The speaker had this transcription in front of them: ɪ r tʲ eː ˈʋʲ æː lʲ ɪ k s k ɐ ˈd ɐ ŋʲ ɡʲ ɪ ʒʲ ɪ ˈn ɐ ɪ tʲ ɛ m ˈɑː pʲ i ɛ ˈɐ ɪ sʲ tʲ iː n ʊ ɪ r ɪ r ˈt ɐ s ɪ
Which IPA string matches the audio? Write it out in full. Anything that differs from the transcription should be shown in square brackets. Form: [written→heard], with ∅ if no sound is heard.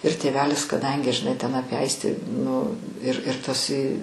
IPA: ɪ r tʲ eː ˈʋʲ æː lʲ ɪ [k→∅] s k ɐ ˈd ɐ ŋʲ ɡʲ ɪ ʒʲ ɪ ˈn ɐ ɪ tʲ ɛ [m→n] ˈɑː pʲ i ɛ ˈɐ ɪ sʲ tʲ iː n ʊ ɪ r ɪ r ˈt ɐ s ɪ